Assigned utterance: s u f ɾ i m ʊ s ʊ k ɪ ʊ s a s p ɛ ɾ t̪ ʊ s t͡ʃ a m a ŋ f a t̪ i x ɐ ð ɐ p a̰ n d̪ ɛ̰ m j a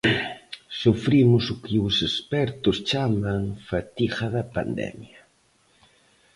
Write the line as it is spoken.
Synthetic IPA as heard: s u f ɾ i m ʊ s ʊ k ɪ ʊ s e s p ɛ ɾ t̪ ʊ s t͡ʃ a m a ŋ f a t̪ i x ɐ ð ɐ p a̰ n d̪ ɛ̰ m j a